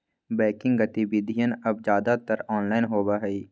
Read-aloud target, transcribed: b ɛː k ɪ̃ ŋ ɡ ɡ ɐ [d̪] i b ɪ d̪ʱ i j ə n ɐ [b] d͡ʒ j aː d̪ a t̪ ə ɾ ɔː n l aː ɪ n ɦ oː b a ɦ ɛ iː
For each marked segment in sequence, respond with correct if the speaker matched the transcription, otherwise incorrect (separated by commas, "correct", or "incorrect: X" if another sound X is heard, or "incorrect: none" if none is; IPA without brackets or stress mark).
incorrect: t̪, correct